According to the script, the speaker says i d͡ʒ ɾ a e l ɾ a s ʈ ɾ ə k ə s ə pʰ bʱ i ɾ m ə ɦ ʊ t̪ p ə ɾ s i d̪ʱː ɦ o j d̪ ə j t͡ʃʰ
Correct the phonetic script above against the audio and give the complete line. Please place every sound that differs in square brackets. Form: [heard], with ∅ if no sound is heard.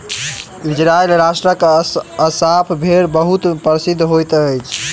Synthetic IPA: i d͡ʒ ɾ a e l ɾ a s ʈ ɾ ə k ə s [a] pʰ bʱ [e] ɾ [b] ə ɦ [u] t̪ p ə ɾ s i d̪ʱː ɦ o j [t̪] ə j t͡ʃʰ